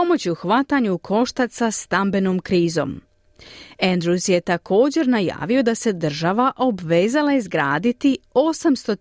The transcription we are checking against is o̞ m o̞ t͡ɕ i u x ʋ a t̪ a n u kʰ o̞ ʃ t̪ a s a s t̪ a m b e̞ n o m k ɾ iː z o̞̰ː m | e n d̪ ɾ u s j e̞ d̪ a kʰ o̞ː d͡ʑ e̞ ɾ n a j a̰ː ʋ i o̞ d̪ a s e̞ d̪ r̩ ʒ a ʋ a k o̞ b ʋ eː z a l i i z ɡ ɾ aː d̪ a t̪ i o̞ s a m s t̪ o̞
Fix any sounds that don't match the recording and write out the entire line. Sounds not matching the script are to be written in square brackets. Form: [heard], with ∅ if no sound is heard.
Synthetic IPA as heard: o̞ m o̞ t͡ɕ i u x ʋ a t̪ a [ɲ] u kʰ o̞ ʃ t̪ a s a s t̪ a m b e̞ n o m k ɾ iː z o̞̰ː m | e n d̪ ɾ u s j e̞ [t̪] a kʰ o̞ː d͡ʑ e̞ ɾ n a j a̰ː ʋ i o̞ d̪ a s e̞ d̪ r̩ ʒ a ʋ a [ʔ] o̞ b ʋ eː z a l [a] i z ɡ ɾ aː d̪ [i] t̪ i o̞ s a m s t̪ o̞